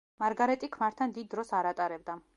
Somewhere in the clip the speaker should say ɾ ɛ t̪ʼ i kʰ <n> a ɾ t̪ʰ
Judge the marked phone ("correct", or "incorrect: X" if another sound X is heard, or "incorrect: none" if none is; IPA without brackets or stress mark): incorrect: m